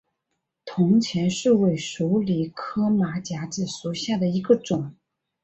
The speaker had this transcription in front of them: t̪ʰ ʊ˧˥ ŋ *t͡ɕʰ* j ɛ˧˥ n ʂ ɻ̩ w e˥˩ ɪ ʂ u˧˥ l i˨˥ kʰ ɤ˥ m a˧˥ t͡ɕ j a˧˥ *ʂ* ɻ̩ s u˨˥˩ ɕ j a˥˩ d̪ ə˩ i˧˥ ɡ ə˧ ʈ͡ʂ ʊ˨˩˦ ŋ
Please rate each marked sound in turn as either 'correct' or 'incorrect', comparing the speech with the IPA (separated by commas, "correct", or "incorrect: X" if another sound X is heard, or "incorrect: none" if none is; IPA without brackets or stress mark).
correct, incorrect: ʈ͡ʂ